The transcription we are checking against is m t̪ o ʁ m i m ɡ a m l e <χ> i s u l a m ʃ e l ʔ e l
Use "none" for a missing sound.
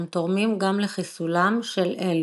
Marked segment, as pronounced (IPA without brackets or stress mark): χ